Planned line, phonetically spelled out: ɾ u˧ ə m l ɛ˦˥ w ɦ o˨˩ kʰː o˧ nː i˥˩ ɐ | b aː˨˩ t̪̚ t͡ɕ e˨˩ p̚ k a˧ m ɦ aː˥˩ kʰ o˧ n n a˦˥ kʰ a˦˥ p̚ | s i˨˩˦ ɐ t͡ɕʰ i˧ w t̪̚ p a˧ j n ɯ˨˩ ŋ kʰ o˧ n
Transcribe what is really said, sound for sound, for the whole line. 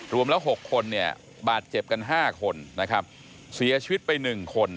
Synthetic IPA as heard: ɾ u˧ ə m l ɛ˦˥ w ɦ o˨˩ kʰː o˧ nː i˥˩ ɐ | b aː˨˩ t̪̚ t͡ɕ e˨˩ p̚ k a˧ n ɦ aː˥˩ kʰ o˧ n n a˦˥ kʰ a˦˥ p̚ | s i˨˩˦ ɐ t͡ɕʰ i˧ w t̪̚ p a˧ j n ɯ˨˩ ŋ kʰ o˧ n